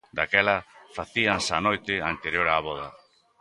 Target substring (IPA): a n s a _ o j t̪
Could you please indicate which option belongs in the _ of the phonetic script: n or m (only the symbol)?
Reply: n